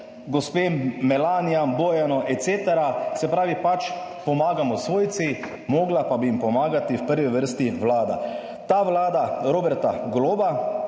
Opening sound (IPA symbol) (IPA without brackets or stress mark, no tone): ɡ